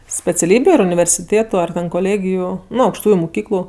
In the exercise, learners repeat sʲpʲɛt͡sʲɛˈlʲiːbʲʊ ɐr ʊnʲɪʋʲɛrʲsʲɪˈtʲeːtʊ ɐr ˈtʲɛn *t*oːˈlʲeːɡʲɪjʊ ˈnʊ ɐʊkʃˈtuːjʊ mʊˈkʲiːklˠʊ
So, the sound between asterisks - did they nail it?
no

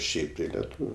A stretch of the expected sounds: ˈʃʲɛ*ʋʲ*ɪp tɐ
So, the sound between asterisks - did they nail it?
no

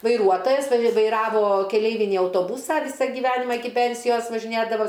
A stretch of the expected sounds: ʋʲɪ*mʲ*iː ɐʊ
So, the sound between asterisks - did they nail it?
no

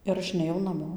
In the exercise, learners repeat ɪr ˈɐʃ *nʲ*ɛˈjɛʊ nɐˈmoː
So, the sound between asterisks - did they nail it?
yes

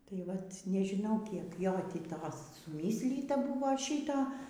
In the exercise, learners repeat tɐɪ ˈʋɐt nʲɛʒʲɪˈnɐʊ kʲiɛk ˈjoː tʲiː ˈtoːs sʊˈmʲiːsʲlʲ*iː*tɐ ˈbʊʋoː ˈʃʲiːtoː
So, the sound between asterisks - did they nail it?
yes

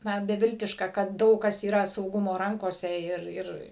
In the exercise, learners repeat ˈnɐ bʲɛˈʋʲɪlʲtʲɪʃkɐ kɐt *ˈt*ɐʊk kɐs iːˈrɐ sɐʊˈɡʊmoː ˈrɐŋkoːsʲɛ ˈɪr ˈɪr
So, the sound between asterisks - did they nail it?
no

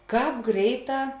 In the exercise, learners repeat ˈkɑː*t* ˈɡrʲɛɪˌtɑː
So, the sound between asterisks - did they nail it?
no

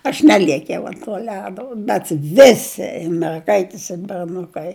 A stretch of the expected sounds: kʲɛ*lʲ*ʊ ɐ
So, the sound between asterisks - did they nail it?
no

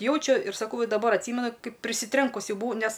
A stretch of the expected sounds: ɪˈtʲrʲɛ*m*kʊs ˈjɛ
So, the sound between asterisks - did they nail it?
no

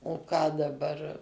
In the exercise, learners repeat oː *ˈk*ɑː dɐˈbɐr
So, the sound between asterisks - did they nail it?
yes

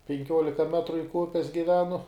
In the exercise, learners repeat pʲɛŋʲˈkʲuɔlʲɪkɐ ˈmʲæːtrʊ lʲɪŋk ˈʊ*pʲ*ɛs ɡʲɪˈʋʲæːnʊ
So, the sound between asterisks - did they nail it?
yes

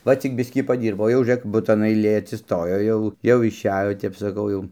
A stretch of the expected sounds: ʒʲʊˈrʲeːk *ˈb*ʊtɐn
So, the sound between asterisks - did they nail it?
yes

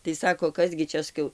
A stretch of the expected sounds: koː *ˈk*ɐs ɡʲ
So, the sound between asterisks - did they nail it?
yes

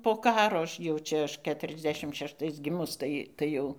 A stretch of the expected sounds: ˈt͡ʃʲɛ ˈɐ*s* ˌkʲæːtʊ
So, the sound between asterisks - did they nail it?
no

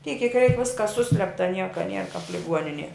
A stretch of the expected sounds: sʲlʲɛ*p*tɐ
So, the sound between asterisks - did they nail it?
yes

